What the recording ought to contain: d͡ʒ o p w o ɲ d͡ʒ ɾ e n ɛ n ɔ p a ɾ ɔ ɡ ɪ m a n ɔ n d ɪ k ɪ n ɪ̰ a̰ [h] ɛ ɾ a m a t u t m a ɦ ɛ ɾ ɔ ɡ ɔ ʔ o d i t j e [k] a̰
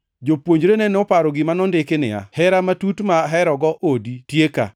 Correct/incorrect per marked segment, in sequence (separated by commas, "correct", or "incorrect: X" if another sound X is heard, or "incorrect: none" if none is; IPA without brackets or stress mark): correct, correct